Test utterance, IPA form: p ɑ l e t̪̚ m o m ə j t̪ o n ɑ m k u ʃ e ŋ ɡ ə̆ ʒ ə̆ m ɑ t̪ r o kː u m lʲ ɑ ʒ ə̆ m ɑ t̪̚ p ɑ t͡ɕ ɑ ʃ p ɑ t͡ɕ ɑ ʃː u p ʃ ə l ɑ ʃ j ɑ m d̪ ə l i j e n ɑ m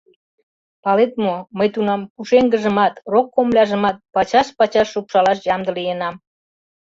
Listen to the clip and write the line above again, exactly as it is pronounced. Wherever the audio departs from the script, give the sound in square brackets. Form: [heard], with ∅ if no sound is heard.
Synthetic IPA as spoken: p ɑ l e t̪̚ m o m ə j t̪ [u] n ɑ m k u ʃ e ŋ ɡ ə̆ ʒ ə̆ m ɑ t̪ r o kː [o] m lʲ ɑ ʒ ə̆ m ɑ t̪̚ p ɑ t͡ɕ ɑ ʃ p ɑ t͡ɕ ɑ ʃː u p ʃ [ɑ] l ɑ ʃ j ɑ m d̪ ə l i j e n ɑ m

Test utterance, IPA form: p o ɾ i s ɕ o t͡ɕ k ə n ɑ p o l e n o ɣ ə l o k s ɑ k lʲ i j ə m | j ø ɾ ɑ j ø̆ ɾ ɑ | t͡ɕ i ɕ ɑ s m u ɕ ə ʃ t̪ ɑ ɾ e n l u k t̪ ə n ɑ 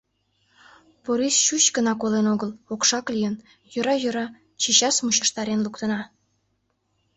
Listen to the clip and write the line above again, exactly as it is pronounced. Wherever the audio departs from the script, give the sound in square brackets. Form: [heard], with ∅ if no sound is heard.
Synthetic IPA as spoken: p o ɾ i s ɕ [u] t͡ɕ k ə n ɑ [k] o l e n o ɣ ə l o k [ʃ] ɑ k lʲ i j ə [n] | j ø ɾ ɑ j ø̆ ɾ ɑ | t͡ɕ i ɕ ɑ s m u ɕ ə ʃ t̪ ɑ ɾ e n l u k t̪ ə n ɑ

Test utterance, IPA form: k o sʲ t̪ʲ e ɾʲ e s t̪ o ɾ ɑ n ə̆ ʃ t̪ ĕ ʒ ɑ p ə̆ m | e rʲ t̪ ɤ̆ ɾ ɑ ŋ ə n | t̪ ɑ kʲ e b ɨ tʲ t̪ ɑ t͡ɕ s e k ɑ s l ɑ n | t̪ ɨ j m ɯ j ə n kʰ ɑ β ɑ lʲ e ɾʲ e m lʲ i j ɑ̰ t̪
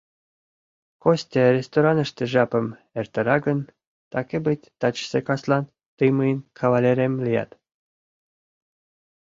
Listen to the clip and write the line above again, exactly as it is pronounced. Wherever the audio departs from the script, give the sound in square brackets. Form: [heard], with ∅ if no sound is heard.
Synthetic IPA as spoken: k o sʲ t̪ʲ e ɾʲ e s t̪ o ɾ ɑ n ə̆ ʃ t̪ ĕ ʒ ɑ p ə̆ m | e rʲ t̪ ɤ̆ ɾ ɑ [ɡ] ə n | t̪ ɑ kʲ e b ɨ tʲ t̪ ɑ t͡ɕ s e k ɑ s l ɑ n | t̪ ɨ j m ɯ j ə n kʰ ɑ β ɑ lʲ e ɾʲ e m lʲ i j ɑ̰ t̪

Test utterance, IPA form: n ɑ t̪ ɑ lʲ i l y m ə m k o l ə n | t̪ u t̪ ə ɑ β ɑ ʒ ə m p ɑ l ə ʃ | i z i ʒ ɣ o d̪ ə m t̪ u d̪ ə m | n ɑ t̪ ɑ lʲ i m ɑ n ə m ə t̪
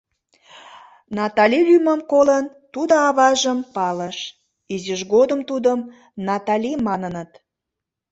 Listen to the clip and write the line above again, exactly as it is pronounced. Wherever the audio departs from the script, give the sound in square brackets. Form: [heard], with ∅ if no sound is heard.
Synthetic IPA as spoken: n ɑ t̪ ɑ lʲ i l y m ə m k o l ə n | t̪ u [d̪] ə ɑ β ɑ ʒ ə m p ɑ l ə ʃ | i z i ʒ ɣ o d̪ ə m t̪ u d̪ ə m | n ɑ t̪ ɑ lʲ i m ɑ n ə [n] ə t̪

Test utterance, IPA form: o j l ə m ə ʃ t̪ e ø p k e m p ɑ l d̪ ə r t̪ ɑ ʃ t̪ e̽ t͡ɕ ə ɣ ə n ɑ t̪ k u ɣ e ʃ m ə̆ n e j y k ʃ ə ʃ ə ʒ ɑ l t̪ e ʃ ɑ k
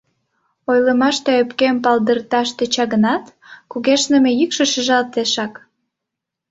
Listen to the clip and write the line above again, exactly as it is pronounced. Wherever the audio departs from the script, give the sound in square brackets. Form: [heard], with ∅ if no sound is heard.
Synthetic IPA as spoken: o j l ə m [ɑ] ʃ t̪ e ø p k e m p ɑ l d̪ ə r t̪ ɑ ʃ t̪ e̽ t͡ɕ [ɑ] ɣ ə n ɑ t̪ k u ɣ e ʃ [n] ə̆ [m] e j y k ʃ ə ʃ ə ʒ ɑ l t̪ e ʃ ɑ k

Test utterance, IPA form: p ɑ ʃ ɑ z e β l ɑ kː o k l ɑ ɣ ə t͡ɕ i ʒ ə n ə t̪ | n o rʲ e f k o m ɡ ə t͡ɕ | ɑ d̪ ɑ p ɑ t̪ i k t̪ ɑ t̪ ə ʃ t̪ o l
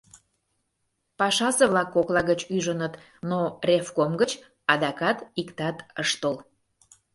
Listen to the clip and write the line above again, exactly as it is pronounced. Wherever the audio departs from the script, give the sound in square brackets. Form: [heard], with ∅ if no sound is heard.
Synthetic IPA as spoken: p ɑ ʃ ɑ [s] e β l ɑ kː o k l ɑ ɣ ə t͡ɕ [y] ʒ ə n ə t̪ | n o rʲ e f k o m ɡ ə t͡ɕ | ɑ d̪ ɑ [k] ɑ t̪ i k t̪ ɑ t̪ ə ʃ t̪ o l

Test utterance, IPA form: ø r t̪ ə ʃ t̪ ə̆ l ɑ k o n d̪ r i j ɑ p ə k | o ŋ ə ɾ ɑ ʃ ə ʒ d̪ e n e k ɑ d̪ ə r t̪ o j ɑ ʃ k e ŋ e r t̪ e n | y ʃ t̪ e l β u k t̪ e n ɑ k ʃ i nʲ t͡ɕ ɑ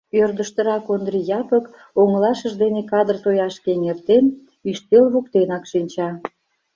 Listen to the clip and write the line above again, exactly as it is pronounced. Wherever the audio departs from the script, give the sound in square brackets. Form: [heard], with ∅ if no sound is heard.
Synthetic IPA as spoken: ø r [d̪] ə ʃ t̪ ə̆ [ɾ] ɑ k o n d̪ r i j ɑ p ə k | o ŋ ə [l] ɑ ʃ ə ʒ d̪ e n e k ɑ d̪ ə r t̪ o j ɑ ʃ k e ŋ e r t̪ e n | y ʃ t̪ e l β u k t̪ e n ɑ k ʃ i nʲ t͡ɕ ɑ

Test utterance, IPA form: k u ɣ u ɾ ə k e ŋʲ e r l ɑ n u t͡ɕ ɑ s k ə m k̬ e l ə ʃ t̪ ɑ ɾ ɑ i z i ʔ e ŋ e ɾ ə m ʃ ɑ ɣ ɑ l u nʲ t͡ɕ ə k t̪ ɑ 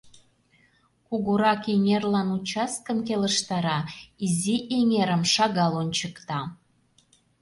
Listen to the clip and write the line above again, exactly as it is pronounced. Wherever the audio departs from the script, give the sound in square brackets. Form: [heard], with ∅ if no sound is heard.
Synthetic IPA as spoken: k u ɣ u ɾ [ɑ] k e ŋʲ e r l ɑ n u t͡ɕ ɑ s k ə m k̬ e l ə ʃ t̪ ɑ ɾ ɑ i z i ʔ e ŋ e ɾ ə m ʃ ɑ ɣ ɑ l [o] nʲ t͡ɕ ə k t̪ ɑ

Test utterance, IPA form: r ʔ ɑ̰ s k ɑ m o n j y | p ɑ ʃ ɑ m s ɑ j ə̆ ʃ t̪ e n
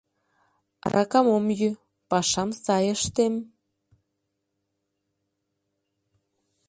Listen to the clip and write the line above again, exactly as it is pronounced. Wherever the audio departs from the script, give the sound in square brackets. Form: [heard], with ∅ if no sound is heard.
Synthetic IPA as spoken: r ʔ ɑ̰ [∅] k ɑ m o [m] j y | p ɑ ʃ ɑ m s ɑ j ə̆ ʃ t̪ e [m]

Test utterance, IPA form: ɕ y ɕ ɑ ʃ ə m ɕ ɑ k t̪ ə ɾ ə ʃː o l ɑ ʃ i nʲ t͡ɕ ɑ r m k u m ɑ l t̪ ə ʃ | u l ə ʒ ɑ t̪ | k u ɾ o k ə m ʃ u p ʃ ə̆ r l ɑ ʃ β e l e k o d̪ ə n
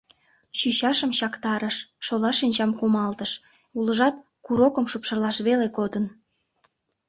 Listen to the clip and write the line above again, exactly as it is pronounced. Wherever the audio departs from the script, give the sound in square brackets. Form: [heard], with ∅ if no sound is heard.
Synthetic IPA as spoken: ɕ y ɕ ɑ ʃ ə m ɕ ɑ k t̪ [ɑ] ɾ ə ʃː o l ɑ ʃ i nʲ t͡ɕ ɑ [∅] m k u m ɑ l t̪ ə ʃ | u l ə ʒ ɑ t̪ | k u ɾ o k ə m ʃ u p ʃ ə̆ r l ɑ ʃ β e l e k o d̪ ə n

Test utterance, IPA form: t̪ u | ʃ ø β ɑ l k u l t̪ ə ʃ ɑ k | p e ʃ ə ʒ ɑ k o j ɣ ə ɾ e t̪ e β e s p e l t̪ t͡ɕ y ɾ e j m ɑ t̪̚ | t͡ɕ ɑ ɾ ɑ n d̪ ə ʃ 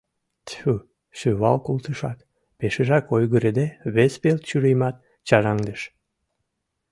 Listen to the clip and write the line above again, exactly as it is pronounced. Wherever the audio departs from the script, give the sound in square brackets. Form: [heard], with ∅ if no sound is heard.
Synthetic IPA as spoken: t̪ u | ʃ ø β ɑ l k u l t̪ ə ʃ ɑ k | p e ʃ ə ʒ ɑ k o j ɣ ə ɾ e [d̪] e β e s p e l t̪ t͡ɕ y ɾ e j m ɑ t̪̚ | t͡ɕ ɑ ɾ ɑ [ŋ] d̪ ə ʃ

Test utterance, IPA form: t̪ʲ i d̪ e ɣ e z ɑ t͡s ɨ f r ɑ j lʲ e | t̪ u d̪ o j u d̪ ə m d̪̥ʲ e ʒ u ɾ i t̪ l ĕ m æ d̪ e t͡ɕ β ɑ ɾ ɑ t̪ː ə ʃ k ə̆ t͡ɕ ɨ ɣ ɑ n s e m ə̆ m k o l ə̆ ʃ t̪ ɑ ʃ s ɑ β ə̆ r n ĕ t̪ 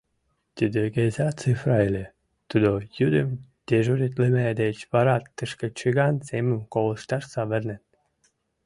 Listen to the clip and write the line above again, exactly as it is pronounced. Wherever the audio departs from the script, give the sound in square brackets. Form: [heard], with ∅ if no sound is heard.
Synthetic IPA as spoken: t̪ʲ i d̪ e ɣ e z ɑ t͡s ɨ f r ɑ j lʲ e | t̪ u d̪ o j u d̪ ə m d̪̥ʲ e ʒ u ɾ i t̪ l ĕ m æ d̪ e t͡ɕ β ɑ ɾ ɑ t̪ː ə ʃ k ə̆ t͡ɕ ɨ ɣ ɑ n s e m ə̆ m k o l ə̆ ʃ t̪ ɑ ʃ s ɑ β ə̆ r n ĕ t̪

